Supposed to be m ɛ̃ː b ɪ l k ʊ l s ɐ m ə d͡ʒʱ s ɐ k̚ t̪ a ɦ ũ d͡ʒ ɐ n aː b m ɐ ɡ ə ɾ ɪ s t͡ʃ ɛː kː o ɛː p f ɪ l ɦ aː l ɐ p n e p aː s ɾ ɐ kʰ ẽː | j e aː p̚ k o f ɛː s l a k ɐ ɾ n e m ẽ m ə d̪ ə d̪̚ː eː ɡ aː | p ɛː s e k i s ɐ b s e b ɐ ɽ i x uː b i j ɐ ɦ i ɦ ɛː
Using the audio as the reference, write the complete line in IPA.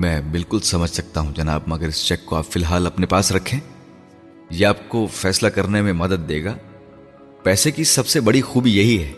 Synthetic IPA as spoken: m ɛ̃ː b ɪ l k ʊ l s ɐ m ə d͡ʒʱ s ɐ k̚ t̪ a ɦ ũ d͡ʒ ɐ n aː b m ɐ ɡ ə ɾ ɪ s t͡ʃ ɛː kː o aː p f ɪ l ɦ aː l ɐ p n e p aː s ɾ ɐ kʰ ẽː | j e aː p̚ k o f ɛː s l a k ɐ ɾ n e m ẽ m ɐ d̪ ə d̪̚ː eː ɡ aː | p ɛː s e k i s ɐ b s e b ɐ ɽ i x uː b i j ɐ ɦ i ɦ ɛː